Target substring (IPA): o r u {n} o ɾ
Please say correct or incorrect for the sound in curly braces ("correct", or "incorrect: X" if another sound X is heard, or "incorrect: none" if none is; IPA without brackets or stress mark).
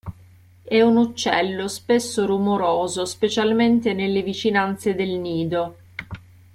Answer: incorrect: m